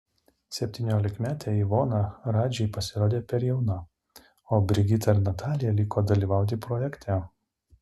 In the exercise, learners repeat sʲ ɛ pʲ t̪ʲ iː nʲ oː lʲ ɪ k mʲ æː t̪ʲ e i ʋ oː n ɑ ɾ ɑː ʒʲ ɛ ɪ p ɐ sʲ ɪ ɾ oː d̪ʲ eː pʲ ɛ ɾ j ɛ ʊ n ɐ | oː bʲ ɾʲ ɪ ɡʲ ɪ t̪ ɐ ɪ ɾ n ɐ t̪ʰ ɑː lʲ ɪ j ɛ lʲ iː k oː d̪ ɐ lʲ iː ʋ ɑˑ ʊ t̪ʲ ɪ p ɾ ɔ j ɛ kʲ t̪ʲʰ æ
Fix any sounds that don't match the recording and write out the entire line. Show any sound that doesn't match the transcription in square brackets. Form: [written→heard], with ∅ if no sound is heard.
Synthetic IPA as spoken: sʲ ɛ pʲ t̪ʲ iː nʲ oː lʲ ɪ k mʲ æː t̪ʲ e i ʋ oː n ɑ ɾ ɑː [ʒʲ→d͡ʒʲ] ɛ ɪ p ɐ sʲ ɪ ɾ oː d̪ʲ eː pʲ ɛ ɾ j ɛ ʊ n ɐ | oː bʲ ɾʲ ɪ ɡʲ ɪ t̪ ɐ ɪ ɾ n ɐ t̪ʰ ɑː lʲ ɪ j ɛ lʲ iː k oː d̪ ɐ lʲ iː ʋ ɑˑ ʊ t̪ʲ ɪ p ɾ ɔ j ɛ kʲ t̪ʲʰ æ